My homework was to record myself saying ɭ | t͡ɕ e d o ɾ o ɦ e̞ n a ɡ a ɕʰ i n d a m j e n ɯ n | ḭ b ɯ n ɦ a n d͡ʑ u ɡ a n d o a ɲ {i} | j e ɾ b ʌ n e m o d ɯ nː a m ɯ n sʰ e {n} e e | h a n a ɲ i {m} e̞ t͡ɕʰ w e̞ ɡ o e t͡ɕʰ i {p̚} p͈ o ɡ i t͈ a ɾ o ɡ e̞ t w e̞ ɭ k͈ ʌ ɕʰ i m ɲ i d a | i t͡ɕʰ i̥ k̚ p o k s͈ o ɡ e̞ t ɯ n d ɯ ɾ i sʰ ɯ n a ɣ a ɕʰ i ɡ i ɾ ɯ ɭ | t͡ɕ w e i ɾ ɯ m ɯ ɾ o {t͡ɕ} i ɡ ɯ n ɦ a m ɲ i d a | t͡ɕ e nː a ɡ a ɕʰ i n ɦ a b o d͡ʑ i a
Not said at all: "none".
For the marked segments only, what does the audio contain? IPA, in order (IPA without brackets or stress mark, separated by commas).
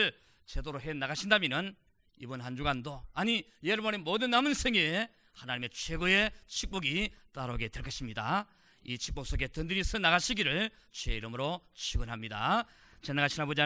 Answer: i, ŋ, m, k̚, t͡ɕʰ